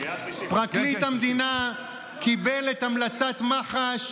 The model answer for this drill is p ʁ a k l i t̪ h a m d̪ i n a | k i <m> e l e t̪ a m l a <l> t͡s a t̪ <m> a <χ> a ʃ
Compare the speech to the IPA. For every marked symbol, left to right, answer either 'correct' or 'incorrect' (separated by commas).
incorrect, incorrect, correct, correct